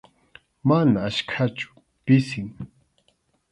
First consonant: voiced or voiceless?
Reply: voiced